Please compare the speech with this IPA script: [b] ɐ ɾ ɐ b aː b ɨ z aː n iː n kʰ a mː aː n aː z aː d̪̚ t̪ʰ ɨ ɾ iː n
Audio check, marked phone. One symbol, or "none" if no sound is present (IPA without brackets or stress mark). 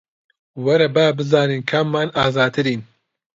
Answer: w